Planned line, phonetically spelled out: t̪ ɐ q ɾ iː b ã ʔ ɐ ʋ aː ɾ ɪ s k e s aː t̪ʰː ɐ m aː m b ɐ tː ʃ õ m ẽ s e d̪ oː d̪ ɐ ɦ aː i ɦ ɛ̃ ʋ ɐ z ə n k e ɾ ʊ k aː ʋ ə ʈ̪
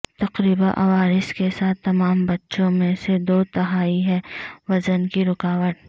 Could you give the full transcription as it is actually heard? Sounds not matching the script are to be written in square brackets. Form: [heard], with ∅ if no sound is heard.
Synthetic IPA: t̪ ɐ q ɾ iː b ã ʔ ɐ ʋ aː ɾ ɪ s k e s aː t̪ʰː ɐ m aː m b ɐ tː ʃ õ m ẽ s e d̪ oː [t̪] ɐ ɦ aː i ɦ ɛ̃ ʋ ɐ z ə n k [i] ɾ ʊ k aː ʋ ə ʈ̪